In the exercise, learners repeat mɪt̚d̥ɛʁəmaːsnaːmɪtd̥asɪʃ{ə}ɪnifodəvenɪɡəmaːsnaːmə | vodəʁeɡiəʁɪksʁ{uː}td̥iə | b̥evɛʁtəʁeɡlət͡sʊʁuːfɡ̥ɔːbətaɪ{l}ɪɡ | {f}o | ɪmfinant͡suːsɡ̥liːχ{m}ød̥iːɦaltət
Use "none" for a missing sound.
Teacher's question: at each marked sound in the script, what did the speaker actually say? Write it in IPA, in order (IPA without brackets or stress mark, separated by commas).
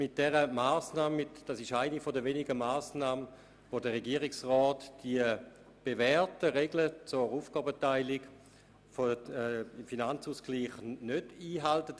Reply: a, ɔː, l, f, n